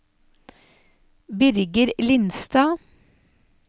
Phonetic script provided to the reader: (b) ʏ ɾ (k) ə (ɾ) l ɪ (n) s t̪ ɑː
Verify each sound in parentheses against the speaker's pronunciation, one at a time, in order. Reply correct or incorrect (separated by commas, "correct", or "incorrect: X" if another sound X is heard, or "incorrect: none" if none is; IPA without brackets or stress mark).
correct, incorrect: ɡ, correct, correct